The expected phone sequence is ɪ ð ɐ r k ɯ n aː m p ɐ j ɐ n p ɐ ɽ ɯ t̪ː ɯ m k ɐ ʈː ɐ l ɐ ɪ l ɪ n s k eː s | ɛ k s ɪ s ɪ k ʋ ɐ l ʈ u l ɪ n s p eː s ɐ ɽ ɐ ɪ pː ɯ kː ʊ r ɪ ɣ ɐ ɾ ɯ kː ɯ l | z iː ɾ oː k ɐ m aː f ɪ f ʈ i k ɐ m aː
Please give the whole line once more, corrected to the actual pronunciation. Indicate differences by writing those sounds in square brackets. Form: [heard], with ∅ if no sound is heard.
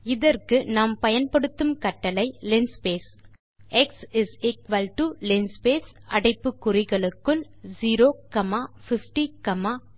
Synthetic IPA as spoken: ɪ ð ɐ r k ɯ n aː m p ɐ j ɐ n p ɐ ɽ ɯ t̪ː ɯ m k ɐ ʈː ɐ l ɐ ɪ l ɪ n s [p] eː s | ɛ k s ɪ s ɪ k ʋ ɐ l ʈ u l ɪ n s p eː s ɐ ɽ ɐ ɪ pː ɯ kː ʊ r ɪ ɣ ɐ [ɭ] ɯ kː ɯ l | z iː ɾ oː k ɐ m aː f ɪ f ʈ i k ɐ m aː